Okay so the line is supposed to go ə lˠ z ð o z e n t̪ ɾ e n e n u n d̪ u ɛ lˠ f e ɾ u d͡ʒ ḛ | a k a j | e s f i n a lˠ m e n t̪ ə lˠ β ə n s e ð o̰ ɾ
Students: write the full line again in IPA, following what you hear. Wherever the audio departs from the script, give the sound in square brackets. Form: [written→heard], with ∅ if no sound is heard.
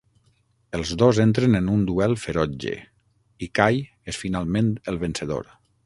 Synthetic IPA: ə lˠ z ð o z e n t̪ ɾ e n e n u n d̪ u ɛ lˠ f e ɾ [u→ɔ] d͡ʒ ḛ | [a→i] k a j | e s f i n a lˠ m e n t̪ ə lˠ β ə n s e ð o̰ ɾ